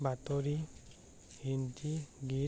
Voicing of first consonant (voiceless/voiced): voiced